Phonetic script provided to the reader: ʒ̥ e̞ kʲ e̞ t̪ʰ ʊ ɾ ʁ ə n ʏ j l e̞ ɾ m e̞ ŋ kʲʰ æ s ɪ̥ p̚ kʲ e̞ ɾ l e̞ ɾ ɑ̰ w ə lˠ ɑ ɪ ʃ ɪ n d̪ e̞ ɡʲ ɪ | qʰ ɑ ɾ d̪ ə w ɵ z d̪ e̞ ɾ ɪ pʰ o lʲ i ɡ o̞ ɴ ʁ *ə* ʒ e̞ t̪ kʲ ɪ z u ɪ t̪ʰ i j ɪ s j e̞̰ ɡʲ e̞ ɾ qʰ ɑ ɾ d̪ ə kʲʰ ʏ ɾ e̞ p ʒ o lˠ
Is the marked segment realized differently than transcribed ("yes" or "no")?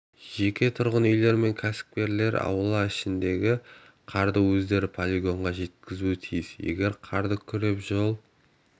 yes